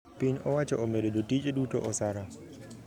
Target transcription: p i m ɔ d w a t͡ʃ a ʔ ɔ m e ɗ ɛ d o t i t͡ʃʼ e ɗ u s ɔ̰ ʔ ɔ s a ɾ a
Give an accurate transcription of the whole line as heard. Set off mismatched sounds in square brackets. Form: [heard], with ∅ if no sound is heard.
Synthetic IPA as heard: p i [ɲ] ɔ [∅] w a t͡ʃ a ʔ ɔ m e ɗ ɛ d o t i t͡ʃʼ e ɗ u [t] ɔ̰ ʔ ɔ s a ɾ a